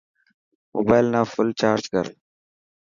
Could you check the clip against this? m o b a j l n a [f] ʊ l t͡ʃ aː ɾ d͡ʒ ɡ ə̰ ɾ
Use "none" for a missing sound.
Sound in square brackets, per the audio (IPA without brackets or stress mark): f